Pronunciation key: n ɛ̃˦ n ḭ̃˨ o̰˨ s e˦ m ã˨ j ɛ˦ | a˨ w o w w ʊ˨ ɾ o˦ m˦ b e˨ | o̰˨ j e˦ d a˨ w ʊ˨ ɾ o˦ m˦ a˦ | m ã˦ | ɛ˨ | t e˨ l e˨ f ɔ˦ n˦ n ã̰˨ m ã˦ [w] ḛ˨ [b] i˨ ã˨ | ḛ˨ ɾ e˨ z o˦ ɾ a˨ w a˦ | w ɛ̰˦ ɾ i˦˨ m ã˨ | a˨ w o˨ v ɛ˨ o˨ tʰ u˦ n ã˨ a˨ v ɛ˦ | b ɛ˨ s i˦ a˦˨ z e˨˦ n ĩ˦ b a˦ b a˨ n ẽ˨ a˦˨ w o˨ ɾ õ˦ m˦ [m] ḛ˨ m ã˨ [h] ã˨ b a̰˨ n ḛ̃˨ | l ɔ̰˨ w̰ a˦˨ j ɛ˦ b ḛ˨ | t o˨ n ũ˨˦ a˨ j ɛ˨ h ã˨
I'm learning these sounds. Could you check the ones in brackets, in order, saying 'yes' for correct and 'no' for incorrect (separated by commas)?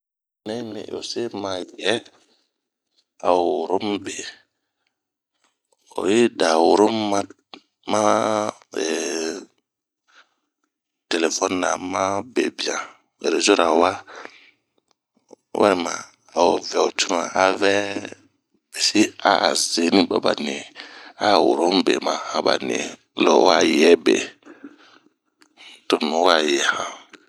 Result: no, yes, no, yes